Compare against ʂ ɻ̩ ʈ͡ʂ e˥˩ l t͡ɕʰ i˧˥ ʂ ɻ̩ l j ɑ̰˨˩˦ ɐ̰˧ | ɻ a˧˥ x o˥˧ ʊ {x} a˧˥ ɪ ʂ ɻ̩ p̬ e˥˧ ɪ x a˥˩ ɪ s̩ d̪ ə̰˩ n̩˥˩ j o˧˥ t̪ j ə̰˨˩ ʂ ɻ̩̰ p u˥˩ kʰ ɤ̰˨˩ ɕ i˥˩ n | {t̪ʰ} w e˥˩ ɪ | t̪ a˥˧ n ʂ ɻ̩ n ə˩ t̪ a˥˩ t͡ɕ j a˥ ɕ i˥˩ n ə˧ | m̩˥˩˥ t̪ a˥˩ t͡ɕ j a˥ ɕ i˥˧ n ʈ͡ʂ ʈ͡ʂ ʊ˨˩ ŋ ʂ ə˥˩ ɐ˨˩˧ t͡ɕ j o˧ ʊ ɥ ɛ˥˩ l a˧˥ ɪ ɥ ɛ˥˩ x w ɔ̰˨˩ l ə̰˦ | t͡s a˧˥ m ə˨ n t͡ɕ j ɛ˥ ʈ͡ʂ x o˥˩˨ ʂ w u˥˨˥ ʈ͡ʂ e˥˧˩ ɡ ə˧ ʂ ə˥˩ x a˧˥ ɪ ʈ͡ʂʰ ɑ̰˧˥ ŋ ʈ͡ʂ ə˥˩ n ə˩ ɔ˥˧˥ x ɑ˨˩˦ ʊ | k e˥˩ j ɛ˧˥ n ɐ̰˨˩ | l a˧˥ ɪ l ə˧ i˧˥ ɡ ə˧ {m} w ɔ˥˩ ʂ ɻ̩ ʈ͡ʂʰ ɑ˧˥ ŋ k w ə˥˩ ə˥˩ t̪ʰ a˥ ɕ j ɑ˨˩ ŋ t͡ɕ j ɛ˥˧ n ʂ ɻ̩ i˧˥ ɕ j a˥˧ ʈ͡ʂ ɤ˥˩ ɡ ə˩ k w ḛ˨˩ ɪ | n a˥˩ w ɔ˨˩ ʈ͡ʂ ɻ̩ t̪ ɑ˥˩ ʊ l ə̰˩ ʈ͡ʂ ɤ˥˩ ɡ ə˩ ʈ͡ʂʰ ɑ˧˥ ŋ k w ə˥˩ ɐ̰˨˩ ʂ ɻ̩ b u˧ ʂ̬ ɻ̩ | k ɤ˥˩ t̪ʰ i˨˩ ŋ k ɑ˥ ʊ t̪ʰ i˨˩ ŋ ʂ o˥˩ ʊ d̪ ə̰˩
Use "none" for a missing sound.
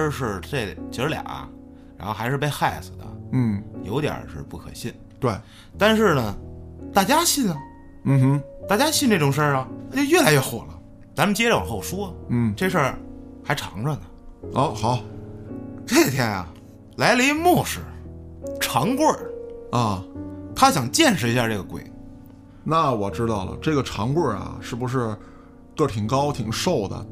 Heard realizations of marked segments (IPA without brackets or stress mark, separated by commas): x, t̪, m